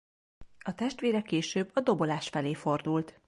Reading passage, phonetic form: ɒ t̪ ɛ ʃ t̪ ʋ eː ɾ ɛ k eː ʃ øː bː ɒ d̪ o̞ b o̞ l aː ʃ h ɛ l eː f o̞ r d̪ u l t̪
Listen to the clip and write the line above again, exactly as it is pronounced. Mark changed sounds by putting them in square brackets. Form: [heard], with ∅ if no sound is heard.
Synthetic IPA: ɒ t̪ ɛ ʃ t̪ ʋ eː ɾ ɛ k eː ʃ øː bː ɒ d̪ o̞ b o̞ l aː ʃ [f] ɛ l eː f o̞ r d̪ u l t̪